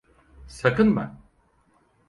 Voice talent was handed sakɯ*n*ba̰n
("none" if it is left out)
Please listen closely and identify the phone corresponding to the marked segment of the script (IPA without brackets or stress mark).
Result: n